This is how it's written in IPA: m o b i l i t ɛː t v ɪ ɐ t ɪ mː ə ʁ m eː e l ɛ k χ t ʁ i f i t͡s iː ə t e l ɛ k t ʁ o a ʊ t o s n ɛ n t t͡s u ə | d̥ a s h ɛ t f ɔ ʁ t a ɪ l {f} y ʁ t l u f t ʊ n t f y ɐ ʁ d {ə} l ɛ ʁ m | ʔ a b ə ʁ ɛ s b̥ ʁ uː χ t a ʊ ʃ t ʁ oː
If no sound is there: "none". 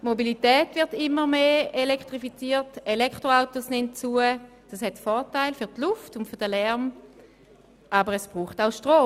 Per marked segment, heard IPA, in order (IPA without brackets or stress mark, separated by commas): f, ə